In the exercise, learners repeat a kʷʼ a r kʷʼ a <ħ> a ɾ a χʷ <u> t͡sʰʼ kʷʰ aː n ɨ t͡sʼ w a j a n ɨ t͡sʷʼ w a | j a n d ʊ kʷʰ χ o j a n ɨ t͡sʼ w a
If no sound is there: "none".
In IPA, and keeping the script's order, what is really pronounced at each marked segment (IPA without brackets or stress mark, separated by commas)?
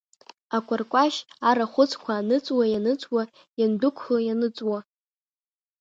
ʃ, ʊ